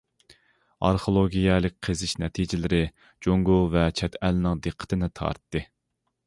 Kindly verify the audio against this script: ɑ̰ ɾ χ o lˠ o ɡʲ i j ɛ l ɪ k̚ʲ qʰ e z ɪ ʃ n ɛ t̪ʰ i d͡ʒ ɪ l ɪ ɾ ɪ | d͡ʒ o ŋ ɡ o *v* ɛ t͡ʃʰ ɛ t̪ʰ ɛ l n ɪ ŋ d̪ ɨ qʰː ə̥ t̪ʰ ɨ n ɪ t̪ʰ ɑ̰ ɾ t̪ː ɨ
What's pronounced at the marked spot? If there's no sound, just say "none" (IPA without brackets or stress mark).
v